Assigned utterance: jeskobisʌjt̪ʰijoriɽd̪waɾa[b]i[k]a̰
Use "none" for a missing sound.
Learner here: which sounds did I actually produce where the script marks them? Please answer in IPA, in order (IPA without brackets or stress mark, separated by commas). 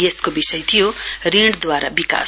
b, k